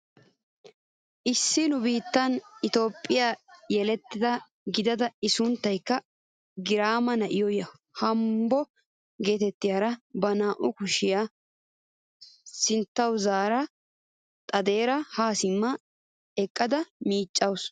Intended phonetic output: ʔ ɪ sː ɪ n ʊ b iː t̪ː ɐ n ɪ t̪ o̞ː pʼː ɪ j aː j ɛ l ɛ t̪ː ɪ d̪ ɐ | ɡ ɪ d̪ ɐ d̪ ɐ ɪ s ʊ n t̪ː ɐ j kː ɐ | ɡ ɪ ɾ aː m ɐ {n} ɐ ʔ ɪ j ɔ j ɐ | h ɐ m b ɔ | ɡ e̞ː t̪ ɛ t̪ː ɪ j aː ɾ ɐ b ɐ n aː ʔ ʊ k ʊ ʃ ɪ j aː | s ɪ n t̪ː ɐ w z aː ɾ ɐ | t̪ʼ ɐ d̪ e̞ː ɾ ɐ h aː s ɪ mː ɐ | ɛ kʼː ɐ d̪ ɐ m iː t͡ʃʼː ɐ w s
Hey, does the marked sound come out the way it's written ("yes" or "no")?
yes